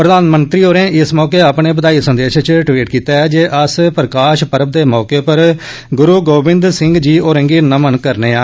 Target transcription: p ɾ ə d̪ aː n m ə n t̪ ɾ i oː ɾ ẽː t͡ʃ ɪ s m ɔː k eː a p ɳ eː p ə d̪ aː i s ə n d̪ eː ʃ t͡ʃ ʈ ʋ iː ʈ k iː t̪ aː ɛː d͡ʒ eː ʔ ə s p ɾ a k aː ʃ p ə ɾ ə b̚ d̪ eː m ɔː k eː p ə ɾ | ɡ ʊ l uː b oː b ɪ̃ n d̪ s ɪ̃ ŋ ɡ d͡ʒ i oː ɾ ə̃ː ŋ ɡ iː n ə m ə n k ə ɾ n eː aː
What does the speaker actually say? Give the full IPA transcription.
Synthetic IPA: p ɾ ə d̪ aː n m ə n t̪ ɾ iː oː ɾ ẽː ɪ s m ɔː k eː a p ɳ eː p ə d̪ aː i s ə n d̪ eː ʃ t͡ʃ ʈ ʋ iː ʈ k iː t̪ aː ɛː d͡ʒ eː ʔ ə s p ɾ ə k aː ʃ p ə ɾ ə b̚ d̪ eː m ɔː k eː p ə ɾ | ɡ ʊ ɾ uː ɡ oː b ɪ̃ n d̪ s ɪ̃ ŋ ɡ d͡ʒ iː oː ɾ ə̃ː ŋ ɡ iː n ə m ə n k ə ɾ n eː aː